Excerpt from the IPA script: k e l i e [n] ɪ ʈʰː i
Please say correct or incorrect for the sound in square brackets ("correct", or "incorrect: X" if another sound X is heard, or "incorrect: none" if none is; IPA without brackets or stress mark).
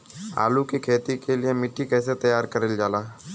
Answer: incorrect: m